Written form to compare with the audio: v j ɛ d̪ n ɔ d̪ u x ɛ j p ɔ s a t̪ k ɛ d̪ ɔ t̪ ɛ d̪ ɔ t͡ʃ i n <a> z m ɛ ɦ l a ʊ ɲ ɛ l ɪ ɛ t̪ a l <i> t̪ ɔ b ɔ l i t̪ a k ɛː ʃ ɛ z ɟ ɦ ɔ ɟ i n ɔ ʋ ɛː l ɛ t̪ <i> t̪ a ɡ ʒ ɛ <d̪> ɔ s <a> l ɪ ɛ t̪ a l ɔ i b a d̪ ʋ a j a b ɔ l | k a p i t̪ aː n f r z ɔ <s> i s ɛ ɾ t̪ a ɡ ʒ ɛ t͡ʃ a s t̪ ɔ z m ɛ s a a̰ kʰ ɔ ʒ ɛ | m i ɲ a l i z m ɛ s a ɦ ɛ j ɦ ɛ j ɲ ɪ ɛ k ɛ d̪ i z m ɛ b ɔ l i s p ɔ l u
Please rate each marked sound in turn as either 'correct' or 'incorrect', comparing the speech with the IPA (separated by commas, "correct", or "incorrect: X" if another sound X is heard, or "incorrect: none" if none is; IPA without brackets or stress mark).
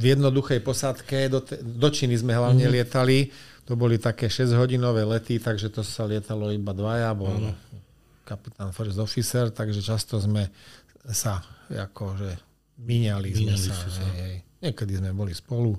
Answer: incorrect: i, correct, correct, incorrect: t̪, correct, incorrect: f